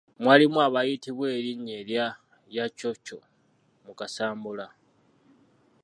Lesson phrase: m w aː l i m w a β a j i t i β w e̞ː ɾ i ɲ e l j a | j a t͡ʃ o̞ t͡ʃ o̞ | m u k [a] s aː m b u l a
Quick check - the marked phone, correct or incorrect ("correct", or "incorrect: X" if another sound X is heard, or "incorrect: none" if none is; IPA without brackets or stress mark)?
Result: correct